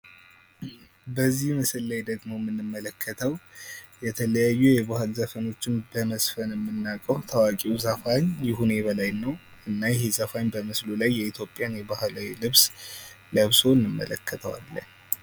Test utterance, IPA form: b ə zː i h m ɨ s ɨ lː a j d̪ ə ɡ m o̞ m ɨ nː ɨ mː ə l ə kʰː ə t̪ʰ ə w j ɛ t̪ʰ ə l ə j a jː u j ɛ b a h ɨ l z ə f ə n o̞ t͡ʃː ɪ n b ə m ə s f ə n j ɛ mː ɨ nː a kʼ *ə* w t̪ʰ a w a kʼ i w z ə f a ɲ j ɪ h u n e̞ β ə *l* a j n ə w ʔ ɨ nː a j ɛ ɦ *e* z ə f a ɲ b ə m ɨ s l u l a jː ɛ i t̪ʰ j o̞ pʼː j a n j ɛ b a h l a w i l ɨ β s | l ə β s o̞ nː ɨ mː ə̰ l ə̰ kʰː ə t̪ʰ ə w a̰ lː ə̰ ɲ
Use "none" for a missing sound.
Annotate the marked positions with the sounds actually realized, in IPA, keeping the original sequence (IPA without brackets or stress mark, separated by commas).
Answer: ə, l, e